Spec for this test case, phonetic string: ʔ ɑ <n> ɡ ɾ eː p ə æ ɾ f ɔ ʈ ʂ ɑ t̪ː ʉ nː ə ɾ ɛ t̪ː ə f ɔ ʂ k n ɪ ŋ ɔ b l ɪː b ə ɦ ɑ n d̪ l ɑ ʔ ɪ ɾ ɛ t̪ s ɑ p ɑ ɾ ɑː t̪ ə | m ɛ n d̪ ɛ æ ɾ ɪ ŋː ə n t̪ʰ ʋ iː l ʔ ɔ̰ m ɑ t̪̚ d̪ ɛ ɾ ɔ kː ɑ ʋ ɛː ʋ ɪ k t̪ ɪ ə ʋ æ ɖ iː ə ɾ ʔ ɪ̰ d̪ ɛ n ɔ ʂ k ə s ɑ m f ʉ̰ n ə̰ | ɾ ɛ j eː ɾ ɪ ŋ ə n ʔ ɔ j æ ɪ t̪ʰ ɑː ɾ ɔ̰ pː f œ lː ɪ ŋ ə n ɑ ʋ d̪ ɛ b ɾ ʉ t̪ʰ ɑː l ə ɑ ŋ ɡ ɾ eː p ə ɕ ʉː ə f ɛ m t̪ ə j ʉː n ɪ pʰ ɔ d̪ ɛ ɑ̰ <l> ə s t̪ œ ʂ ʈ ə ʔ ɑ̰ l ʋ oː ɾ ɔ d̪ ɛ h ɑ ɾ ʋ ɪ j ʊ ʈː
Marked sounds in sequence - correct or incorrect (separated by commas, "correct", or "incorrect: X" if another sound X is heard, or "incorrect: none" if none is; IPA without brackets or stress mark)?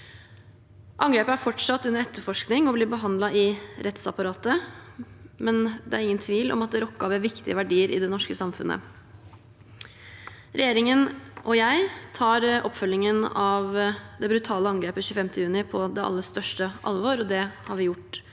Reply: incorrect: ŋ, incorrect: lː